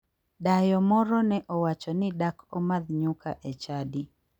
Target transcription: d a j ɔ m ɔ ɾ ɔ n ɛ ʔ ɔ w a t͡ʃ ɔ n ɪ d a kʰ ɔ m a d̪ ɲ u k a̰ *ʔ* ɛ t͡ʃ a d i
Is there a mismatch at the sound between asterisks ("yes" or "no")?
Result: no